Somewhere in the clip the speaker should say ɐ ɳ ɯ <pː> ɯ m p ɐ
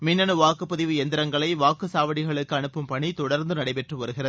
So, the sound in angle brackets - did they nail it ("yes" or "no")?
yes